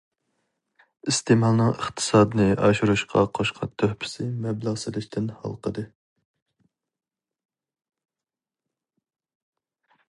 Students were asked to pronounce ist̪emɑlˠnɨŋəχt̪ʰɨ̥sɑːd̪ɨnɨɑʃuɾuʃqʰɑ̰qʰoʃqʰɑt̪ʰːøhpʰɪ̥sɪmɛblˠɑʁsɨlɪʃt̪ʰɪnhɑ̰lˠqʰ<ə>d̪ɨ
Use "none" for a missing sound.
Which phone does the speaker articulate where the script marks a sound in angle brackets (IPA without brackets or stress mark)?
ə